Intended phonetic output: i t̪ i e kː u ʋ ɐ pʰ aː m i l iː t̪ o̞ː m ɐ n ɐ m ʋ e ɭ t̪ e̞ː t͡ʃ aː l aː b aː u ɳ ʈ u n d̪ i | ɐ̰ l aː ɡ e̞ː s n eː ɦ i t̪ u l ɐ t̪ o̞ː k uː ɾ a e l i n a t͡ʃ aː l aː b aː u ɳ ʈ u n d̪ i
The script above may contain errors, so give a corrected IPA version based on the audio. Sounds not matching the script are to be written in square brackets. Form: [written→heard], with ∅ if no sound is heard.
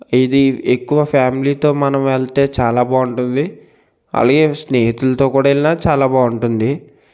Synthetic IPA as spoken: i [t̪→d̪] i e kː u ʋ ɐ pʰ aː m i l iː t̪ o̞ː m ɐ n ɐ m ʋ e ɭ t̪ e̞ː t͡ʃ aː l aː b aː u ɳ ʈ u n d̪ i | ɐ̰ l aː ɡ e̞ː s n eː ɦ i t̪ u l ɐ t̪ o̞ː k uː [ɾ→ɽ] a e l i n a t͡ʃ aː l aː b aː u ɳ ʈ u n d̪ i